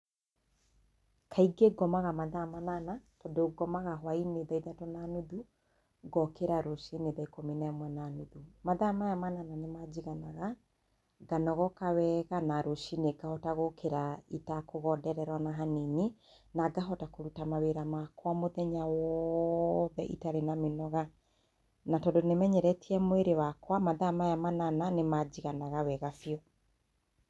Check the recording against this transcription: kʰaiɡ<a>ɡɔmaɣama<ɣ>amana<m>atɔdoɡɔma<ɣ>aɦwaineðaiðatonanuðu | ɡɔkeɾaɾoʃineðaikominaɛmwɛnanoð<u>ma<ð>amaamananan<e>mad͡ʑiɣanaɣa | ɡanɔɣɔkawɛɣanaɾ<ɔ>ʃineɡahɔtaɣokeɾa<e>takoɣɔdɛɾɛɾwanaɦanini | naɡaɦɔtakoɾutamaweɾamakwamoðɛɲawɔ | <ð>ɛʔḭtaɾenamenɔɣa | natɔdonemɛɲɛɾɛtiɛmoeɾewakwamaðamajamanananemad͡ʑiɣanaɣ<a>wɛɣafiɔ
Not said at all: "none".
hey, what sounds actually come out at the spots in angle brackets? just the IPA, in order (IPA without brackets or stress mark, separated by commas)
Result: e, ð, n, ɣ, u, ð, e, o, i, ð, a